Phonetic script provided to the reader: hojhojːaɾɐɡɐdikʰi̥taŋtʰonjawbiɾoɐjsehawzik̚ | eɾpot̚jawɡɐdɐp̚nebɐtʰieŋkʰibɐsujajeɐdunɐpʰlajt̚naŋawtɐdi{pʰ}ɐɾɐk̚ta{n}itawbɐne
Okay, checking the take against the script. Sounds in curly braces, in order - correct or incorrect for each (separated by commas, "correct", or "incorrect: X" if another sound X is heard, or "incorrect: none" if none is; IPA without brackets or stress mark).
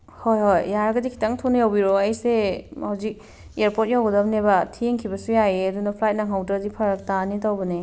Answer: correct, correct